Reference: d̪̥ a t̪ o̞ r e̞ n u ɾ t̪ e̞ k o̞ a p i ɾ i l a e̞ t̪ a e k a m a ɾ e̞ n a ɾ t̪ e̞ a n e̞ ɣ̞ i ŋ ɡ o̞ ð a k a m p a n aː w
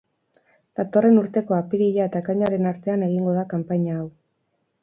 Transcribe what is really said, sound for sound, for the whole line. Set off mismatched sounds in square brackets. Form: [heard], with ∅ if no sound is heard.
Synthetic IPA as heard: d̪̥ a t̪ o̞ r e̞ n u ɾ t̪ e̞ k o̞ a p i ɾ i [ʎ] a e̞ t̪ a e k a [ɲ] a ɾ e̞ n a ɾ t̪ e̞ a n e̞ ɣ̞ i ŋ ɡ o̞ ð a k a m p a [ɲ] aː w